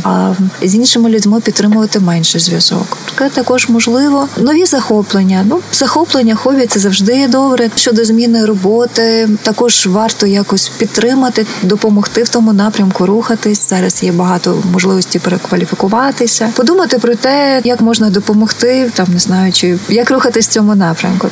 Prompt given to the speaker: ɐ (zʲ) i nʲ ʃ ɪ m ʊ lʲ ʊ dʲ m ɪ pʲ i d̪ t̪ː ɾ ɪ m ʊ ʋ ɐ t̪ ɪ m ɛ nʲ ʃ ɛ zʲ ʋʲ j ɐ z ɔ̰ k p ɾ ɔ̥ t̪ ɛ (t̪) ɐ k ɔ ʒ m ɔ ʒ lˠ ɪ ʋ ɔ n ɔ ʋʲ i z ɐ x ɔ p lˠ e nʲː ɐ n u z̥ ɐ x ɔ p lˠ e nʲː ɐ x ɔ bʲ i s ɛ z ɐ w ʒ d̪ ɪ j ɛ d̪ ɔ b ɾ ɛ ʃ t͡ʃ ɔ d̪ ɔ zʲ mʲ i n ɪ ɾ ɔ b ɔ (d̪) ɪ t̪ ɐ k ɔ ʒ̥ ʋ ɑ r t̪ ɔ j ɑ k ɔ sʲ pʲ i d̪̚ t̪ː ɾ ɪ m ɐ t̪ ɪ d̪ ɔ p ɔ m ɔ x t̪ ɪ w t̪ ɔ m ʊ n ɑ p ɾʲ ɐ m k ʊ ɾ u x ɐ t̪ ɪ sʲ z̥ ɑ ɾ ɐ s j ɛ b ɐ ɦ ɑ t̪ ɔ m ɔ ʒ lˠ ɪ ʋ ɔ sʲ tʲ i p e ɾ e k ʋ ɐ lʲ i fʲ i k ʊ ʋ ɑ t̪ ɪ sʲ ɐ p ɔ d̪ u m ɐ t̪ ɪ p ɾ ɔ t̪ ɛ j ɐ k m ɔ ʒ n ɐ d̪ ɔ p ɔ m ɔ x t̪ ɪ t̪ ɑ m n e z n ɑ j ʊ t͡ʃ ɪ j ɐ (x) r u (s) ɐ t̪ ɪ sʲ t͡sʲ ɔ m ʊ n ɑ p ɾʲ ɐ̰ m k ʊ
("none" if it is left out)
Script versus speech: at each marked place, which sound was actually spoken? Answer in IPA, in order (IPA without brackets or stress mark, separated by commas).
zʲ, t̪, t̪, k, x